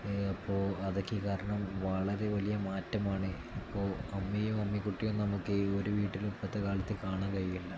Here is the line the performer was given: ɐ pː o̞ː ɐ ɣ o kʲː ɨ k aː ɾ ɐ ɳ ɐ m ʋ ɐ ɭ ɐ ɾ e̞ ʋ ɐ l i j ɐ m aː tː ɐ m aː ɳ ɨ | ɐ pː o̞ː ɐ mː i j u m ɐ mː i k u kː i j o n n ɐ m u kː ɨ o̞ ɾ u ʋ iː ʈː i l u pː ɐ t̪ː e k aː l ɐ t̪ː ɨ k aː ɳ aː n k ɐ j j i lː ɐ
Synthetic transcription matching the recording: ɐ pː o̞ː ɐ ð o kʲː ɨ k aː ɾ ɐ ɳ ɐ m ʋ ɐ ɭ ɐ ɾ e̞ ʋ ɐ l i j ɐ m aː tː ɐ m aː ɳ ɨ | ɐ pː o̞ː ɐ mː i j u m ɐ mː i k u ʈː i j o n n ɐ m u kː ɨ o̞ ɾ u ʋ iː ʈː i l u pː ɐ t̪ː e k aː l ɐ t̪ː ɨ k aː ɳ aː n k ɐ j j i lː ɐ